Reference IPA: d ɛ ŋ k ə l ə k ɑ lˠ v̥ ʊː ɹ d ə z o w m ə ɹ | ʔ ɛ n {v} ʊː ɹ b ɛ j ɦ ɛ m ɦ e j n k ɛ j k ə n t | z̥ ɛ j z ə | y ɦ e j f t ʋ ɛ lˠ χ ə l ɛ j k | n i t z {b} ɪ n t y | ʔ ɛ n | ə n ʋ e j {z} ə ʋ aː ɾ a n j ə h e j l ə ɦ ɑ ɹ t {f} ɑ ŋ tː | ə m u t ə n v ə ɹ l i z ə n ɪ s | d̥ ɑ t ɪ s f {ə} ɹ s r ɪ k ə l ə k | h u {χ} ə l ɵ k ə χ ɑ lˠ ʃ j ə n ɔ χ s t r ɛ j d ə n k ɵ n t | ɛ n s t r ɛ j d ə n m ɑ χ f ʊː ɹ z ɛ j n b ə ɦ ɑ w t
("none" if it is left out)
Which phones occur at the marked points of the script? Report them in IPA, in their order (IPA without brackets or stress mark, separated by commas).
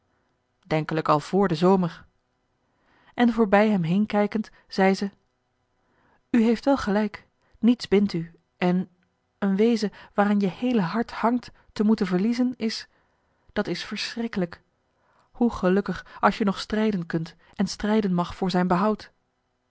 v, b, z, h, ə, χ